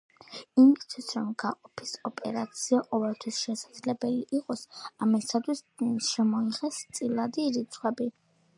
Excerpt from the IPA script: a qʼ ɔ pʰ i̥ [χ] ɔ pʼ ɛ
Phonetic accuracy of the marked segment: incorrect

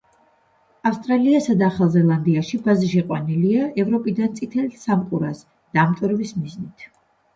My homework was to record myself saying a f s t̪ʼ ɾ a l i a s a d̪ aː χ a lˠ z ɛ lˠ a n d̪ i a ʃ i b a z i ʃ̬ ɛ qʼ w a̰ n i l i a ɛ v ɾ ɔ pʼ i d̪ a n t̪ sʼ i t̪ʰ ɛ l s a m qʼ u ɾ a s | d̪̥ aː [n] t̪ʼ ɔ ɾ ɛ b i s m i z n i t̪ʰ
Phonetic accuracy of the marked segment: incorrect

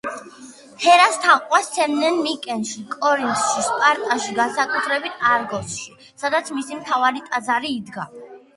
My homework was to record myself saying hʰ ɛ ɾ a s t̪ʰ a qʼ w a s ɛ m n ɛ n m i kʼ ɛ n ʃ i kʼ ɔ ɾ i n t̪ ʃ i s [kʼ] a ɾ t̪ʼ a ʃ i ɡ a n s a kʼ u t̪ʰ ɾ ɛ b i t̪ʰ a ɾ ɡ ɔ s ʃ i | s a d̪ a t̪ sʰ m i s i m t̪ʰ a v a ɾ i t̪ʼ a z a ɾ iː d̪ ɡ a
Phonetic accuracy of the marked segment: incorrect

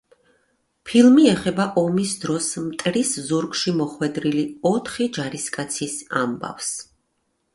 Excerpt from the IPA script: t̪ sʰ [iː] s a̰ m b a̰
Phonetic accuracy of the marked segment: incorrect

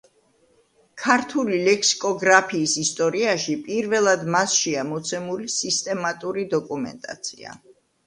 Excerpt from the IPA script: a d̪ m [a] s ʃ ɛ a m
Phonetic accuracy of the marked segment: correct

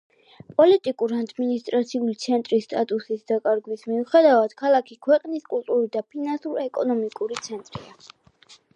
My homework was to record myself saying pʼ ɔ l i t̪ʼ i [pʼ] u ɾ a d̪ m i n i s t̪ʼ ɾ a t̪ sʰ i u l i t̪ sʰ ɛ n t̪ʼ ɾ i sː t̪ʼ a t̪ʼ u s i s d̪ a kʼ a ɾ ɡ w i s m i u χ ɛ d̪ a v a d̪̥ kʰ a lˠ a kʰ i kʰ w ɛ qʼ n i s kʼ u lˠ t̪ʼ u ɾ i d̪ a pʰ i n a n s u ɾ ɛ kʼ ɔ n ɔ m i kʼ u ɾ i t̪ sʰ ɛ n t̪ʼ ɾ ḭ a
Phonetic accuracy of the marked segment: incorrect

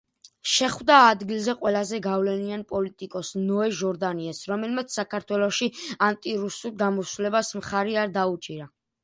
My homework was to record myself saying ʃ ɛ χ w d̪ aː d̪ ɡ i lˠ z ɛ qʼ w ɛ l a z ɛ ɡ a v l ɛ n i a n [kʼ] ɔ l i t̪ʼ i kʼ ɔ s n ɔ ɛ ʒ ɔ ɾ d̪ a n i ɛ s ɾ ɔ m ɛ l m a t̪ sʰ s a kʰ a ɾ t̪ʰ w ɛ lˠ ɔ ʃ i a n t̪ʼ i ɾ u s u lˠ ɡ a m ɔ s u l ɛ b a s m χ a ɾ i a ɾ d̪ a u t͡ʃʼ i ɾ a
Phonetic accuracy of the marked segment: incorrect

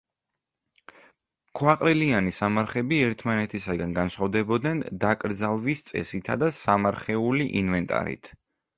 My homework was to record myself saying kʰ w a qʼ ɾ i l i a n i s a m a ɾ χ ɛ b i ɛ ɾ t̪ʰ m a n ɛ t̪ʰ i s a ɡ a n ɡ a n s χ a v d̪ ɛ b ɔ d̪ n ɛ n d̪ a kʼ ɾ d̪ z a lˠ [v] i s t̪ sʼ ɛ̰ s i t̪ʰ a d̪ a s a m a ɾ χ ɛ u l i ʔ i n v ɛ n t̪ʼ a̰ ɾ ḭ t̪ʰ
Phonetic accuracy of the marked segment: correct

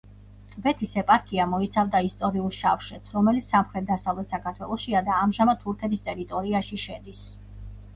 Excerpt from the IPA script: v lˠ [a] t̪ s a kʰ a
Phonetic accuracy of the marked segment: incorrect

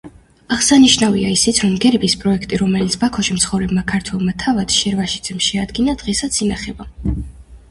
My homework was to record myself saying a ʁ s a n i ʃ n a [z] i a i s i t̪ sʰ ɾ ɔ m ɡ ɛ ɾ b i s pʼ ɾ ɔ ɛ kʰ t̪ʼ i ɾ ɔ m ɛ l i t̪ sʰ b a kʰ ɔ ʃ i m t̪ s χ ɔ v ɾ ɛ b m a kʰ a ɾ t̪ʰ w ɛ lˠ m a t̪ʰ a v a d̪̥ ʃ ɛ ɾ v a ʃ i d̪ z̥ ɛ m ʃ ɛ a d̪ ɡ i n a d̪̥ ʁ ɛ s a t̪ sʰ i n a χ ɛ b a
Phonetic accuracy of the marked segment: incorrect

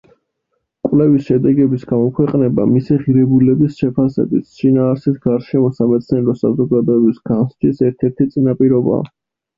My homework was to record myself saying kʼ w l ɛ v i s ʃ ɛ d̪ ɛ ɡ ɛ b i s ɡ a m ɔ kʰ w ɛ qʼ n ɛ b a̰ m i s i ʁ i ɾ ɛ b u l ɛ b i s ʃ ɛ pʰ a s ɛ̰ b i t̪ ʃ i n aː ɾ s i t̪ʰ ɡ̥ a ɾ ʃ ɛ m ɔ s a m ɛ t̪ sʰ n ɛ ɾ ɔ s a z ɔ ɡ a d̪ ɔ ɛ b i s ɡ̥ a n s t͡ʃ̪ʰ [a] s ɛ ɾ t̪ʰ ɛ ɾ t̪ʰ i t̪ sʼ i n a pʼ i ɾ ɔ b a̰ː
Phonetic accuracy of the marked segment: incorrect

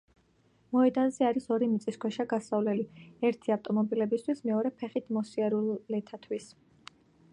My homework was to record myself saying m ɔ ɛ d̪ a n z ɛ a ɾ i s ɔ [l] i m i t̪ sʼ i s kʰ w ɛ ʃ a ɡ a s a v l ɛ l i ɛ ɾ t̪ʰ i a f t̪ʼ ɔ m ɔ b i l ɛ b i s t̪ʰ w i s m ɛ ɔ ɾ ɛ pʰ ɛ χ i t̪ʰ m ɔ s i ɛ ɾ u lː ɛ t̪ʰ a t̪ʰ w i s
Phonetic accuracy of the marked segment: incorrect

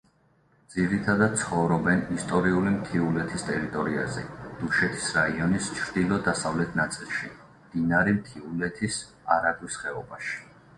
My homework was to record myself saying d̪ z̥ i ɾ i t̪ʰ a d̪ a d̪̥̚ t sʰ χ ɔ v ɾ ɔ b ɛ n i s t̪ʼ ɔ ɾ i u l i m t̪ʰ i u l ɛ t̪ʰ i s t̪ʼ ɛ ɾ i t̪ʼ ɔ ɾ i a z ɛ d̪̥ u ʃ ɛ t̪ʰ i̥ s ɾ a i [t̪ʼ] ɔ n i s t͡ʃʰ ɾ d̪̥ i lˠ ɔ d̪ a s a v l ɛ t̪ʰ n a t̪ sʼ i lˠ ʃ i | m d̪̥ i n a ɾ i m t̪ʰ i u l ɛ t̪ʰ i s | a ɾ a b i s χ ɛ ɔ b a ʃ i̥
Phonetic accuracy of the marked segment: incorrect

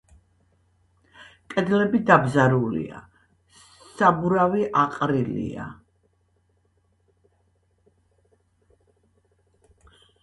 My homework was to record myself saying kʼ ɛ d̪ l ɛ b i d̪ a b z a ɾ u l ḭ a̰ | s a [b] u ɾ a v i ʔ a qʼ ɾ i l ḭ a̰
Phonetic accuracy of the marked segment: correct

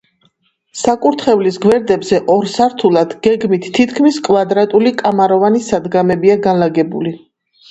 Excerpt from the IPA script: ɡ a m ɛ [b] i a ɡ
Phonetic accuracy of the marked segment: correct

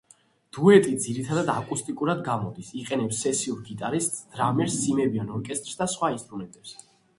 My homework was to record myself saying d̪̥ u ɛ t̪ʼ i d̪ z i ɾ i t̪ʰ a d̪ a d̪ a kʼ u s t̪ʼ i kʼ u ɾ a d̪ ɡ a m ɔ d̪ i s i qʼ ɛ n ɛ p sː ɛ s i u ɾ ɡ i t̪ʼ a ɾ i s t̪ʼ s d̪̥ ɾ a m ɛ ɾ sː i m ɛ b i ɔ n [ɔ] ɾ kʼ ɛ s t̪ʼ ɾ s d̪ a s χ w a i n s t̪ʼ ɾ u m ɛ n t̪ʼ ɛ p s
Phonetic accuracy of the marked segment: correct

